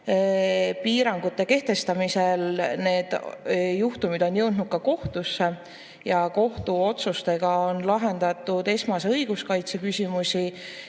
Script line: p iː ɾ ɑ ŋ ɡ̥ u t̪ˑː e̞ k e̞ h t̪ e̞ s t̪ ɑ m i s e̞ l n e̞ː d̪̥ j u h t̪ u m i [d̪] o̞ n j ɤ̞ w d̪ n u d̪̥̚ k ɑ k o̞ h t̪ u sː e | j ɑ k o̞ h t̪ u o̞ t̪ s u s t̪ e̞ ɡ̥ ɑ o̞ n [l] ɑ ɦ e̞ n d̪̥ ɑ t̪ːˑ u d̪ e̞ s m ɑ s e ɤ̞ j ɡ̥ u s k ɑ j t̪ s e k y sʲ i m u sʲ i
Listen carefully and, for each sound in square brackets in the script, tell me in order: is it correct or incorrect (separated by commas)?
correct, correct